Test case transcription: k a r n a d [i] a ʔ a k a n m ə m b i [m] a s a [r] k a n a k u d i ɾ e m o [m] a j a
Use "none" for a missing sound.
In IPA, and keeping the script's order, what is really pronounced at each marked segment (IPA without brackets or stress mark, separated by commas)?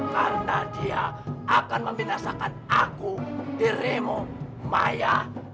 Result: i, n, none, m